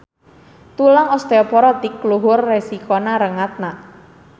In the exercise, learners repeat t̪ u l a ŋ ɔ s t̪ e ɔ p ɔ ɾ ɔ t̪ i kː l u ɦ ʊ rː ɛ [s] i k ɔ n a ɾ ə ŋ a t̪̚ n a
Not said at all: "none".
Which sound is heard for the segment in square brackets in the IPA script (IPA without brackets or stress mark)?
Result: s